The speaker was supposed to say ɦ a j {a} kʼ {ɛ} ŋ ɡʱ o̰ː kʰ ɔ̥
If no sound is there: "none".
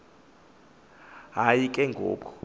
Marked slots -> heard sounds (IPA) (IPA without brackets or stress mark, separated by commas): i, ɛ